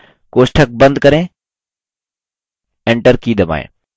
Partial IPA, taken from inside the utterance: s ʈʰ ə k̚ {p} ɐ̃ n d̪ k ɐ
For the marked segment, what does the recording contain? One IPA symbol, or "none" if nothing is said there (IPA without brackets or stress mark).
b